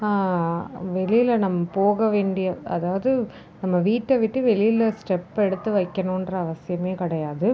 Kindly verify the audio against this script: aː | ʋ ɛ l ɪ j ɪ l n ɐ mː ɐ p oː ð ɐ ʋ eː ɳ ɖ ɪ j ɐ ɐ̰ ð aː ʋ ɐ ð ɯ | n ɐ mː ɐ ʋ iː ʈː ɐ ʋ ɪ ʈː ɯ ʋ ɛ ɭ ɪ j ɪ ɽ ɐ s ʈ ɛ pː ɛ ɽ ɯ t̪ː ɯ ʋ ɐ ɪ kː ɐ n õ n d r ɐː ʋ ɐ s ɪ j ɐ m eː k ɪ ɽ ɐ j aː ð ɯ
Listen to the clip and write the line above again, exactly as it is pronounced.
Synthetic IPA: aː | ʋ ɛ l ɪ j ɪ l n ɐ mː ɐ p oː ɣ ɐ ʋ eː ɳ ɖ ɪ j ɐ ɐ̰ ð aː ʋ ɐ ð ɯ | n ɐ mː ɐ ʋ iː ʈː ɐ ʋ ɪ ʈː ɯ ʋ ɛ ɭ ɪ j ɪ l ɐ s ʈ ɛ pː ɛ ɽ ɯ t̪ː ɯ ʋ ɐ ɪ kː ɐ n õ n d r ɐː ʋ ɐ s ɪ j ɐ m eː k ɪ ɽ ɐ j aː ð ɯ

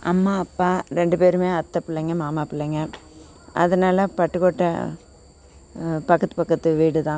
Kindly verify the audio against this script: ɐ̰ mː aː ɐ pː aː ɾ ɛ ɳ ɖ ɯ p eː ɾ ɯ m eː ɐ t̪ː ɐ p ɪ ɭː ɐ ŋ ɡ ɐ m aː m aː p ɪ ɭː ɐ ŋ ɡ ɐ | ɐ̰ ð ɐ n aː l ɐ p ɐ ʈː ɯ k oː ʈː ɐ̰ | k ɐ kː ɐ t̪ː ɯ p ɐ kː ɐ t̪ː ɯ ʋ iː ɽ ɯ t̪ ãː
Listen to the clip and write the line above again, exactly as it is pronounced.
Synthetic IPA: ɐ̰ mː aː ɐ pː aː ɾ ɛ ɳ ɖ ɯ p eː ɾ ɯ m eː ɐ t̪ː ɐ p ɪ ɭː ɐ ŋ ɡ ɐ m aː m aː p ɪ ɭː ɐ ŋ ɡ ɐ | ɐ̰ ð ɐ n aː l ɐ p ɐ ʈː ɯ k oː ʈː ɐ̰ | p ɐ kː ɐ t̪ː ɯ p ɐ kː ɐ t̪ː ɯ ʋ iː ɽ ɯ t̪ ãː

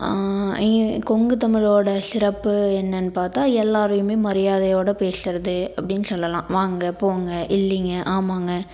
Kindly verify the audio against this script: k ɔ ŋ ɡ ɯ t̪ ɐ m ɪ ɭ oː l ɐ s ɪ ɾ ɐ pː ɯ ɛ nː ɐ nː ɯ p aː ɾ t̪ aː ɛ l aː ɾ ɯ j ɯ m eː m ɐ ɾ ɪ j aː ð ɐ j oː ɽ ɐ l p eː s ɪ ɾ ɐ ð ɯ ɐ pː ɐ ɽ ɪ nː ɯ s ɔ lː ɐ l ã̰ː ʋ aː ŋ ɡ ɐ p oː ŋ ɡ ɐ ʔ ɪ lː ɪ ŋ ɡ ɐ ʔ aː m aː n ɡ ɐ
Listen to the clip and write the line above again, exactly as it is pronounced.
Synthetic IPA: k ɔ ŋ ɡ ɯ t̪ ɐ m ɪ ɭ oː ɽ ɐ s ɪ ɾ ɐ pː ɯ ɛ nː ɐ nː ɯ p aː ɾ t̪ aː ɛ lː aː ɾ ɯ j ɯ m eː m ɐ ɾ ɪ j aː ð ɐ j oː ɽ ɐ p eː s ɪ ɾ ɐ ð ɯ ɐ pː ɐ ɽ ɪ nː ɯ s ɔ lː ɐ l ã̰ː ʋ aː ŋ ɡ ɐ p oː ŋ ɡ ɐ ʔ ɪ lː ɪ ŋ ɡ ɐ ʔ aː m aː ŋ ɡ ɐ

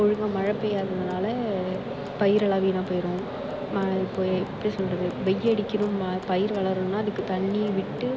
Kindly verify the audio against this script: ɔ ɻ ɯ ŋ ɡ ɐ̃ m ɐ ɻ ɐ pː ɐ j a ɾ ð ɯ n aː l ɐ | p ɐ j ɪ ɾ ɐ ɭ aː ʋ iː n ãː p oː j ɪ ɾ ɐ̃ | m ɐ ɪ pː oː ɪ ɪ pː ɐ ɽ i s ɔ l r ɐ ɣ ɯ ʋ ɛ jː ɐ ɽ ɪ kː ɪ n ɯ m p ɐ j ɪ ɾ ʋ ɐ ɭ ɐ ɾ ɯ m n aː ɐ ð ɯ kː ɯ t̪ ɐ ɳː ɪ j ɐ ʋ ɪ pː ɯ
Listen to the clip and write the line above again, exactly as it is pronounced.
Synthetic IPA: ɔ ɻ ɯ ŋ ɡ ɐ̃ m ɐ ɻ ɐ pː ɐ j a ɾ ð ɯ n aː l ɐ | p ɐ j ɪ ɾ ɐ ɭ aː ʋ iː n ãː p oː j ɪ ɾ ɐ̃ | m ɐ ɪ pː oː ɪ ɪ pː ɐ ɽ i s ɔ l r ɐ ð ɯ ʋ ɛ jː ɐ ɽ ɪ kː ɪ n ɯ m p ɐ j ɪ ɾ ʋ ɐ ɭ ɐ ɾ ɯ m n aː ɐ ð ɯ kː ɯ t̪ ɐ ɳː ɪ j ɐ ʋ ɪ ʈː ɯ

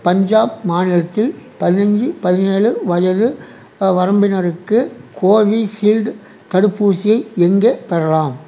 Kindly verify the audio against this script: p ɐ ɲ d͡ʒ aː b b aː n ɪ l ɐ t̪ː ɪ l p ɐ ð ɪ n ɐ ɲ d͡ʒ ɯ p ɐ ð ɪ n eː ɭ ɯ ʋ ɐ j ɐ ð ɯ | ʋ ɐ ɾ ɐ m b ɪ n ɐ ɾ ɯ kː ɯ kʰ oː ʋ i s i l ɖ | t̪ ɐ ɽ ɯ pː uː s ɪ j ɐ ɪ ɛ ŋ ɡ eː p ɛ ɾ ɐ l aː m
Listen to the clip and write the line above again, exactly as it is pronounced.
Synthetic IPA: p ɐ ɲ d͡ʒ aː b m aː n ɪ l ɐ t̪ː ɪ l p ɐ ð ɪ n ɐ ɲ d͡ʒ ɯ p ɐ ð ɪ n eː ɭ ɯ ʋ ɐ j ɐ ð ɯ | ʋ ɐ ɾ ɐ m b ɪ n ɐ ɾ ɯ kː ɯ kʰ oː ʋ i s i l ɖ | t̪ ɐ ɽ ɯ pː uː s ɪ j ɐ ɪ ɛ ŋ ɡ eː p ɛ ɾ ɐ l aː m

